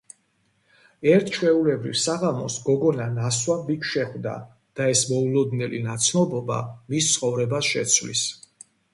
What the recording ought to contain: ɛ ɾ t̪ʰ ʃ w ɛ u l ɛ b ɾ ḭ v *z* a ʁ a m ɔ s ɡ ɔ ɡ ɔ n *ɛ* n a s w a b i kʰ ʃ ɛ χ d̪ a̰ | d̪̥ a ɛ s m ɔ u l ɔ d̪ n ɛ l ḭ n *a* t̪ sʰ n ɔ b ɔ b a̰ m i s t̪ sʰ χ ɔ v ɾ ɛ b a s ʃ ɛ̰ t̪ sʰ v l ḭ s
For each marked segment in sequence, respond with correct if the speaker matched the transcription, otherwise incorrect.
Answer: incorrect: s, incorrect: a, correct

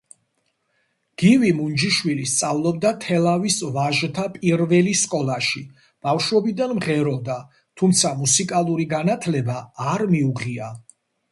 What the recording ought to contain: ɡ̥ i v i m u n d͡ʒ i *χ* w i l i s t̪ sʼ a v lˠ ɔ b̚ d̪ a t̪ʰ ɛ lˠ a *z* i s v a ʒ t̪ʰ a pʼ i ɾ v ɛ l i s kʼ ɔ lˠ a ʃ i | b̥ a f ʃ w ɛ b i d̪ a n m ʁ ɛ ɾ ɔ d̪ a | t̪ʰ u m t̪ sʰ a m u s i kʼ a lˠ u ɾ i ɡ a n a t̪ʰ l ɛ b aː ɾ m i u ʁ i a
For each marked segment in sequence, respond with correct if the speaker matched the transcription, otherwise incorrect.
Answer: incorrect: ʃ, incorrect: v

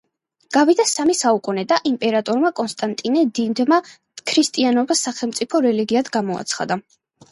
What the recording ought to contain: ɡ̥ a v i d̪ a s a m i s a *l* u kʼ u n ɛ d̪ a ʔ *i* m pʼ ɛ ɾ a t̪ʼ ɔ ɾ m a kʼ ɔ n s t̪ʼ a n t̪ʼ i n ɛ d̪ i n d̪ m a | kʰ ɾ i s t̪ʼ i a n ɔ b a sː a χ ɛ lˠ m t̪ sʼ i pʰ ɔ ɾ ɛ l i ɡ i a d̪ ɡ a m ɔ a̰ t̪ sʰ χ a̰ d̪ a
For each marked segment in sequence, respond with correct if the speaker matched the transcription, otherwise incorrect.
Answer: incorrect: none, correct

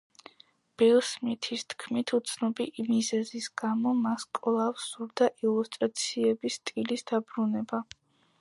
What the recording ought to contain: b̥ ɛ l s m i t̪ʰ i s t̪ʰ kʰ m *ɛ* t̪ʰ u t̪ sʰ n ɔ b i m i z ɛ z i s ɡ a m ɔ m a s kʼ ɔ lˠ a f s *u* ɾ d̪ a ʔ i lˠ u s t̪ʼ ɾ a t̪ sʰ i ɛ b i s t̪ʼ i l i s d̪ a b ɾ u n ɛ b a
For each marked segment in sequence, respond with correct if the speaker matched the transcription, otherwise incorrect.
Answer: incorrect: i, correct

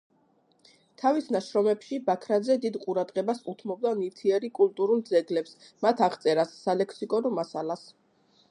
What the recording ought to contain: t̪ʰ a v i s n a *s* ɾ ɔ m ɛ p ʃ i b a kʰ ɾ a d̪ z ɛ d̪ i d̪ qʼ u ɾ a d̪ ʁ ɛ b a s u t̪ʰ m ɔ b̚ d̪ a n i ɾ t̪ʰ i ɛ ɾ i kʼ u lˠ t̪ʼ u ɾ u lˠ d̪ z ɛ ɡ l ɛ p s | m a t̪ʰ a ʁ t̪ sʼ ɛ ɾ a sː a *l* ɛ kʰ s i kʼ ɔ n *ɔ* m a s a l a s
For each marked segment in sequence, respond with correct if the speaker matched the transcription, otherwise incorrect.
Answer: incorrect: ʃ, correct, correct

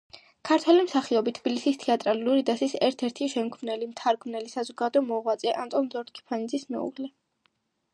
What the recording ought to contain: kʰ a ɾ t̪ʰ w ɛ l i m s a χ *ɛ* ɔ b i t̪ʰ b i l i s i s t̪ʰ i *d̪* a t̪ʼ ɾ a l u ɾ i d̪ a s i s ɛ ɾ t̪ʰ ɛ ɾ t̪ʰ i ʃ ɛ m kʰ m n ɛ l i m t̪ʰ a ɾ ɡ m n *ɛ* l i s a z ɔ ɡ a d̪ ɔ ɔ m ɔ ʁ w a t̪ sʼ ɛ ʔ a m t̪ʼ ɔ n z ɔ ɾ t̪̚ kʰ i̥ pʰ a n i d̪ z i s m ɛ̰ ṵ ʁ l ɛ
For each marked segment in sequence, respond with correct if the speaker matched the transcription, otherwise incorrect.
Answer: incorrect: i, incorrect: none, correct

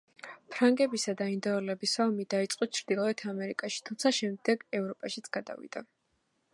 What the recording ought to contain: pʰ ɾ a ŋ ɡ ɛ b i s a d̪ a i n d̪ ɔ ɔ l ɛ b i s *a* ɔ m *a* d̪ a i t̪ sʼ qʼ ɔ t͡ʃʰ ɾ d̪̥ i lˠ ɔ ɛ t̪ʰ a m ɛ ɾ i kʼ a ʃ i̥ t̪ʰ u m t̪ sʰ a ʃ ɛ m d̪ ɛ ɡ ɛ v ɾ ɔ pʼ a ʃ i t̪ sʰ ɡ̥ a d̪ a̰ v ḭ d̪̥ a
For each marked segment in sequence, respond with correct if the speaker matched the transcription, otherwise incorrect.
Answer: correct, incorrect: i

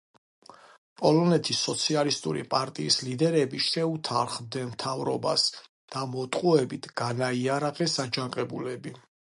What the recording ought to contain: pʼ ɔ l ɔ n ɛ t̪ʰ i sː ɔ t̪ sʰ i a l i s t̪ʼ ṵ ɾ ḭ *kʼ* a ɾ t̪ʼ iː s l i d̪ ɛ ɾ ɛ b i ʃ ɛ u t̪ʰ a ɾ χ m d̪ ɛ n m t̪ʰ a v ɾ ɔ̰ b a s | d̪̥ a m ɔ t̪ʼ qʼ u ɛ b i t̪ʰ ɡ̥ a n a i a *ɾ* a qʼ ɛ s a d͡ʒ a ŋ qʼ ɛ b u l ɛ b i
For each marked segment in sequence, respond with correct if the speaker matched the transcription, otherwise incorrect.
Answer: incorrect: pʼ, correct

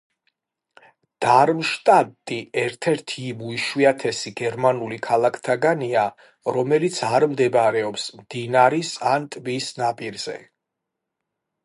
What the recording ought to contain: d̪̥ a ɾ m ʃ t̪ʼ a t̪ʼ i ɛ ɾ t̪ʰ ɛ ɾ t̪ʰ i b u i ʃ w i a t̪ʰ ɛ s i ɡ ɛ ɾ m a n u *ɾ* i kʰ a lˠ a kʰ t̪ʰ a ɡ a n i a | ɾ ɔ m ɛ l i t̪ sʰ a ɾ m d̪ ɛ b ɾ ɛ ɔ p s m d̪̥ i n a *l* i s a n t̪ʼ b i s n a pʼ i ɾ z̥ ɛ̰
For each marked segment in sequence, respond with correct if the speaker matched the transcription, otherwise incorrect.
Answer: incorrect: l, incorrect: ɾ

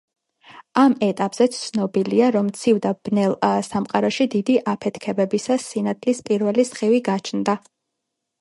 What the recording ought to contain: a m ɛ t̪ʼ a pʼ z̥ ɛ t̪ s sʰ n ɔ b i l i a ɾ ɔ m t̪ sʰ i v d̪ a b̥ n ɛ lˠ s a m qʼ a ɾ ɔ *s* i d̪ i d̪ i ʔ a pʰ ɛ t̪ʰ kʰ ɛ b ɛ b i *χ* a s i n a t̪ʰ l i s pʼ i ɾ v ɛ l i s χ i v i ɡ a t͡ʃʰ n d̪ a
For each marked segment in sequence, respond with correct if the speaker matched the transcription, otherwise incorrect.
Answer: incorrect: ʃ, incorrect: s

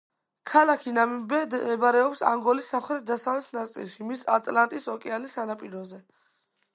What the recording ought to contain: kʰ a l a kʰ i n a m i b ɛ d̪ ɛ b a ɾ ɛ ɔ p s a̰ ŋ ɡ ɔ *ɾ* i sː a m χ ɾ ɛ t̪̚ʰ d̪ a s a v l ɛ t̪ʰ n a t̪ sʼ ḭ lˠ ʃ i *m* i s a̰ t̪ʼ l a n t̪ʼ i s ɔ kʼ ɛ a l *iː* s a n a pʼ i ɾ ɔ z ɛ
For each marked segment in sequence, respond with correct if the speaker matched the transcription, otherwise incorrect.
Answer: incorrect: l, correct, incorrect: i

